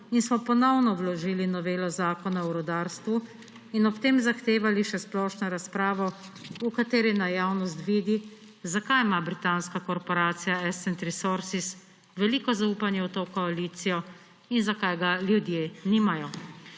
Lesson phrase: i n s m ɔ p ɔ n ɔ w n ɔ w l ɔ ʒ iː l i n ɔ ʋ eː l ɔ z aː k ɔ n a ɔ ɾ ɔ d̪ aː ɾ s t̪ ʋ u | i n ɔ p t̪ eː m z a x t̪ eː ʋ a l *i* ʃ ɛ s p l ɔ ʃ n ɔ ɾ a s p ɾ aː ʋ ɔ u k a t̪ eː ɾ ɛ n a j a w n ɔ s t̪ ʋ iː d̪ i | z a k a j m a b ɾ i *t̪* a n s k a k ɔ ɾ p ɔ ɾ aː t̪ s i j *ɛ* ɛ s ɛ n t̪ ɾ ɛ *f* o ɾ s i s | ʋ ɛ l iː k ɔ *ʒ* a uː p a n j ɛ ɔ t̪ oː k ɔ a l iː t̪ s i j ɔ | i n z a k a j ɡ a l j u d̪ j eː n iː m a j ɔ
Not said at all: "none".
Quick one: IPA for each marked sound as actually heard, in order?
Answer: i, t̪, a, s, z

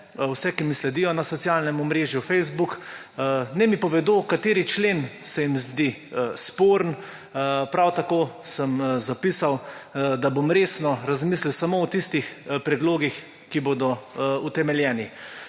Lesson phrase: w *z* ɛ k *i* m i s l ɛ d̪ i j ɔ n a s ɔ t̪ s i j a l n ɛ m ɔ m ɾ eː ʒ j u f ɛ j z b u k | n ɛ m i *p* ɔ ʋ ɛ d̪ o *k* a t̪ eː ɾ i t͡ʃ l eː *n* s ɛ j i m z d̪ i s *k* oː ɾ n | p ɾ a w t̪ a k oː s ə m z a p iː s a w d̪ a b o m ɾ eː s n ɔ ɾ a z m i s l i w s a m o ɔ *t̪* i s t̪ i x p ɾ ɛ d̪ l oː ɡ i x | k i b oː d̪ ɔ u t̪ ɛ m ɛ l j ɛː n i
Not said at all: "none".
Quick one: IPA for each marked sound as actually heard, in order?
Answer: s, i, p, k, n, p, t̪

